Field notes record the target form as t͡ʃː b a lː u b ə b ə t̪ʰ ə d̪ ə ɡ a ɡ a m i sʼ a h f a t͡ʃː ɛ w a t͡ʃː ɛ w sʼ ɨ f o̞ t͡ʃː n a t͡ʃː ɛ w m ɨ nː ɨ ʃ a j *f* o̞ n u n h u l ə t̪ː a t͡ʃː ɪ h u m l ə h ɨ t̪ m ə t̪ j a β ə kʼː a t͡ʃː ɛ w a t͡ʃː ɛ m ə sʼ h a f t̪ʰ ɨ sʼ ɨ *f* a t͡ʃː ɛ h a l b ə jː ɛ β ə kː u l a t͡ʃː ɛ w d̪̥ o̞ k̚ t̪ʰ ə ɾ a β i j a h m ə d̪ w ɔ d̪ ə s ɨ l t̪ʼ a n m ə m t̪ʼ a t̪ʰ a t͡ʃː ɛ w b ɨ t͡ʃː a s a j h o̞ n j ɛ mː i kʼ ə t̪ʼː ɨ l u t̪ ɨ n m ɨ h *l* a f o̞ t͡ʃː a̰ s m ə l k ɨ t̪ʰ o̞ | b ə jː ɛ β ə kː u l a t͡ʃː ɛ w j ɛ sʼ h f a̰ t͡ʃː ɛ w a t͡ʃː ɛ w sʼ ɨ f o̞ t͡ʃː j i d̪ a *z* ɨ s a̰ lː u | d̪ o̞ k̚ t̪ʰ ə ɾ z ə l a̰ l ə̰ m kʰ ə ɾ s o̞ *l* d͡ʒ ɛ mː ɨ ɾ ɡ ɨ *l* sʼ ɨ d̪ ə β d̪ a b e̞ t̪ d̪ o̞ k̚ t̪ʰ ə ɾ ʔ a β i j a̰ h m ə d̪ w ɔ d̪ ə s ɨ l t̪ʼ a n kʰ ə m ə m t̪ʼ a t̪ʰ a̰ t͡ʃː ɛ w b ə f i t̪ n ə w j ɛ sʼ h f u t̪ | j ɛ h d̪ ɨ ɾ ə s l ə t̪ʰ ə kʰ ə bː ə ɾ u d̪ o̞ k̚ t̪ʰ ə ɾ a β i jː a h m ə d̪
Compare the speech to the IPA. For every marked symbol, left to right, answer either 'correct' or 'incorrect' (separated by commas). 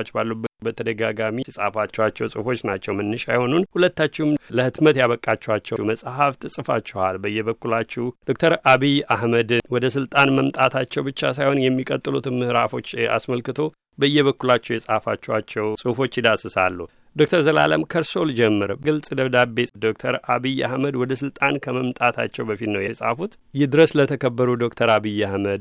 incorrect, correct, incorrect, incorrect, correct, correct